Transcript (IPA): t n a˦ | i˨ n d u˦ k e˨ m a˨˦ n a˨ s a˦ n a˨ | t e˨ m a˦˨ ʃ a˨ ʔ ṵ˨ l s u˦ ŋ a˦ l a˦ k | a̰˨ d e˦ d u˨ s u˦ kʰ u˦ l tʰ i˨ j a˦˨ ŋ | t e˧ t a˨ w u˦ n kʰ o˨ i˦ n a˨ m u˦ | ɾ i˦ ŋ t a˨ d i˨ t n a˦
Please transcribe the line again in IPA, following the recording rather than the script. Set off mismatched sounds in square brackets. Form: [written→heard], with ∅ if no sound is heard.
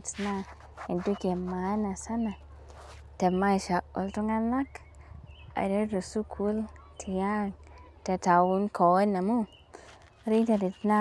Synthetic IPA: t n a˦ | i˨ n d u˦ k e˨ m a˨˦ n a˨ s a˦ n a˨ | t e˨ m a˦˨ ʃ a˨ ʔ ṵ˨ l [s→t] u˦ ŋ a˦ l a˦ k | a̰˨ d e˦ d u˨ s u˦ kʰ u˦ l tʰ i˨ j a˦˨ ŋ | t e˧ t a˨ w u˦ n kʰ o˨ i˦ n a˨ m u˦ | ɾ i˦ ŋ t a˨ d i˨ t n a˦